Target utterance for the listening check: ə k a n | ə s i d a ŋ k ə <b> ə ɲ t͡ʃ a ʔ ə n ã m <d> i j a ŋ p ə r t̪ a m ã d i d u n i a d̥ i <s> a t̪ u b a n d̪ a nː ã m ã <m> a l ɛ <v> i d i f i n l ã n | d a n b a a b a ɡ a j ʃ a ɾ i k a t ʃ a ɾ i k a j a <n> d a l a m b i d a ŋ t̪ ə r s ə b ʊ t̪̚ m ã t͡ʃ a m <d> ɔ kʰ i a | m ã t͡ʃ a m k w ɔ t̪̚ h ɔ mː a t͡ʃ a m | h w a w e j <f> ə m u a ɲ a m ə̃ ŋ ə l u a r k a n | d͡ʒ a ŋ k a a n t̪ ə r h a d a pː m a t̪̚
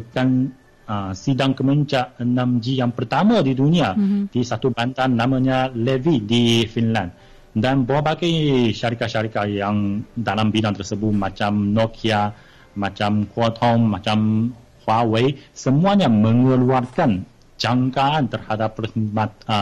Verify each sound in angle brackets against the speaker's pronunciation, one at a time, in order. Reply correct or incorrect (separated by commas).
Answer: incorrect, incorrect, correct, incorrect, correct, incorrect, incorrect, incorrect